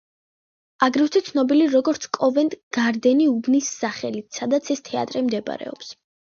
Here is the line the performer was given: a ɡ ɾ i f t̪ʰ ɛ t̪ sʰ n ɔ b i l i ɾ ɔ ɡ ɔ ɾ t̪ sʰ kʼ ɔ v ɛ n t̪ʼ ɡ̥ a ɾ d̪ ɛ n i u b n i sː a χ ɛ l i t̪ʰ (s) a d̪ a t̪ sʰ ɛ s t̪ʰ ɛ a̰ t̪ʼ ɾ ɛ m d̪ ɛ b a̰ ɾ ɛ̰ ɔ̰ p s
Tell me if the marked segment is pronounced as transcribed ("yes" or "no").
yes